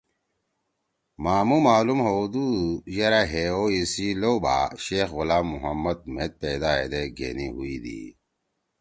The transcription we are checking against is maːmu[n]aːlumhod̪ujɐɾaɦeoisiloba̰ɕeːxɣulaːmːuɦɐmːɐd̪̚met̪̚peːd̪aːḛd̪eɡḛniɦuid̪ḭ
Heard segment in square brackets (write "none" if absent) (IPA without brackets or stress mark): m